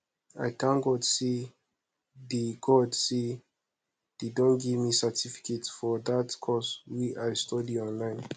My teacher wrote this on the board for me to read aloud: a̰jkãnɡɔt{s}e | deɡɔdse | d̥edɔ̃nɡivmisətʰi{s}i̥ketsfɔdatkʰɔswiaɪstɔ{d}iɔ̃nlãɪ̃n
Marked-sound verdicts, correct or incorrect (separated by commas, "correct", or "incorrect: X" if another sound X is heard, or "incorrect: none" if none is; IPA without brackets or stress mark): correct, incorrect: f, correct